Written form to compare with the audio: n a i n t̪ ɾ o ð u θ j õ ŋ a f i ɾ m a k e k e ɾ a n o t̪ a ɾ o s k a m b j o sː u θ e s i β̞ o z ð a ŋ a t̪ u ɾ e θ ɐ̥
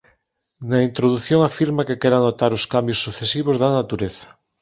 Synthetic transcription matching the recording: n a i n t̪ ɾ o ð u θ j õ ŋ a f i ɾ m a k e k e ɾ a n o t̪ a ɾ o s k a m b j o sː u θ e s i β̞ o z ð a n a t̪ u ɾ e θ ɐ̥